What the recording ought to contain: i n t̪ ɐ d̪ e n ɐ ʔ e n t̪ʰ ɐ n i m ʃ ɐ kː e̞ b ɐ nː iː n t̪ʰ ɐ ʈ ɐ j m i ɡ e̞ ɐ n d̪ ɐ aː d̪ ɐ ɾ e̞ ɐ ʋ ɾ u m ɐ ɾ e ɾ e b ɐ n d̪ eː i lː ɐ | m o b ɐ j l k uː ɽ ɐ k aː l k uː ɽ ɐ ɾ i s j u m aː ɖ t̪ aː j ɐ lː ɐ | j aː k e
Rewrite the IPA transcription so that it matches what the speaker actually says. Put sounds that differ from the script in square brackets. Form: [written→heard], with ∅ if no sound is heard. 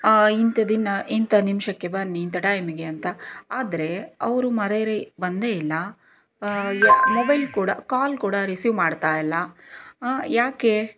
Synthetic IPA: i n t̪ ɐ d̪ [e→i] n ɐ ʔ [e→i] n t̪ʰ ɐ n i m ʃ ɐ kː e̞ b ɐ nː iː n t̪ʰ ɐ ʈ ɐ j m i ɡ e̞ ɐ n [d̪→t̪] ɐ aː d̪ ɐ ɾ e̞ ɐ ʋ ɾ u m ɐ ɾ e ɾ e b ɐ n d̪ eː i lː ɐ | m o b ɐ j l k uː ɽ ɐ k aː l k uː ɽ ɐ ɾ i s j u m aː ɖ t̪ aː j ɐ lː ɐ | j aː k e

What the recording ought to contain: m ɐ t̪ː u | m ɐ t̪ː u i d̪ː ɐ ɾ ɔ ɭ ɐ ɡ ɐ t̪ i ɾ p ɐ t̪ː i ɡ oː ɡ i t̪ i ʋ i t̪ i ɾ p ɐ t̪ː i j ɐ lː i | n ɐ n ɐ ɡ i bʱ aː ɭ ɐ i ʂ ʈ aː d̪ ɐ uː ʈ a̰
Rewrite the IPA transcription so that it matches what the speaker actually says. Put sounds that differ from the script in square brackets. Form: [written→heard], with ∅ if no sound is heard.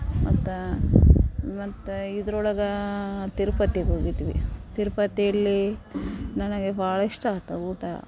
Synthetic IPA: m ɐ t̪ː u | m ɐ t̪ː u i [d̪ː→d̪] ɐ ɾ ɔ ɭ ɐ ɡ ɐ t̪ i ɾ p ɐ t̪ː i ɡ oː ɡ i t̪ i ʋ i t̪ i ɾ p ɐ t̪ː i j ɐ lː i | n ɐ n ɐ ɡ [i→e] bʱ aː ɭ ɐ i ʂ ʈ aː [d̪→t̪] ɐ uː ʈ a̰

